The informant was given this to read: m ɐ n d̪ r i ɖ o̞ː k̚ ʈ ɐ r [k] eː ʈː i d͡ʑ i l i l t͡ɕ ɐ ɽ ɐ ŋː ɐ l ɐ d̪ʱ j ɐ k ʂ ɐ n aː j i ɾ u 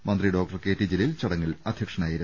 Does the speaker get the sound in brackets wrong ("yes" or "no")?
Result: no